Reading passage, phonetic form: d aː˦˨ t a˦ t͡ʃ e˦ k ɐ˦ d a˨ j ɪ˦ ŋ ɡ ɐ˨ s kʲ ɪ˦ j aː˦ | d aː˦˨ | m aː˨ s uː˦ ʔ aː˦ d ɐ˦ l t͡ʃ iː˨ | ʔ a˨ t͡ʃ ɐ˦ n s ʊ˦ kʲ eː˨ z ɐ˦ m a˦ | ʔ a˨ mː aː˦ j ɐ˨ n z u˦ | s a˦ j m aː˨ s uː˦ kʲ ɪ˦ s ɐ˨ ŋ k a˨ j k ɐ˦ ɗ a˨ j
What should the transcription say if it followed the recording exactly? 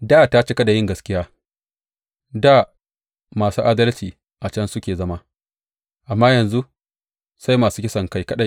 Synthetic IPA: d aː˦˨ t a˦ t͡ʃ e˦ k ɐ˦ d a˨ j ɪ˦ ŋ ɡ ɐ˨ s kʲ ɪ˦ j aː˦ | d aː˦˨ | m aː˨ s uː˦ ʔ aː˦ d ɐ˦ l t͡ʃ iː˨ | ʔ a˨ t͡ʃ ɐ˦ n s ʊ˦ kʲ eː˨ z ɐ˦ m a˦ | ʔ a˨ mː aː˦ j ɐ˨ n z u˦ | s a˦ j m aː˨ s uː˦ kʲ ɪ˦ s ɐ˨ ŋ k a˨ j k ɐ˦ ɗ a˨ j